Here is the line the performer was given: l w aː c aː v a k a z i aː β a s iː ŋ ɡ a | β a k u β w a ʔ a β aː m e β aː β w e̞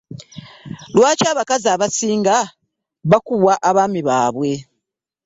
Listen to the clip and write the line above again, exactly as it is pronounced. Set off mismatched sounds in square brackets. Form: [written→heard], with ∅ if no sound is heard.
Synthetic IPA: l w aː c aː [v→β] a k a z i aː β a s iː ŋ ɡ a | β a k u β w a ʔ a β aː m [e→i] β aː β w e̞